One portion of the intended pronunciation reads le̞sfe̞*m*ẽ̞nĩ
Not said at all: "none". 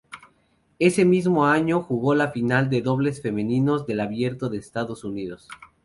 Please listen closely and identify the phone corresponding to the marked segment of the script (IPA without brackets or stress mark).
m